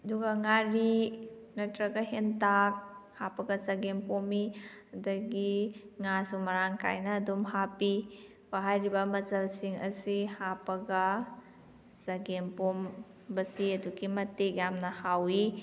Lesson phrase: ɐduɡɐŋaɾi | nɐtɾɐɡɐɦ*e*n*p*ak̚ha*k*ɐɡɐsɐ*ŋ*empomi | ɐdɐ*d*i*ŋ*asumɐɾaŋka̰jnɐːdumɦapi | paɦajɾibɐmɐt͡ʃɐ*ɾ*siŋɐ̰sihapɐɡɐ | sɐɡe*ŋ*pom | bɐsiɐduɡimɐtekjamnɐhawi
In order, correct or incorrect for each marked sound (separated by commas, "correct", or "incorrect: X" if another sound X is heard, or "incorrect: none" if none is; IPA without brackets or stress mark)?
correct, incorrect: t, incorrect: p, incorrect: ɡ, incorrect: ɡ, correct, incorrect: l, incorrect: m